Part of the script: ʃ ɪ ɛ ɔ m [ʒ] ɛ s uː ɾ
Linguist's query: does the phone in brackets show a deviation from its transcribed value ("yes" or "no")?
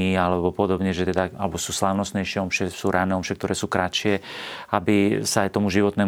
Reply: yes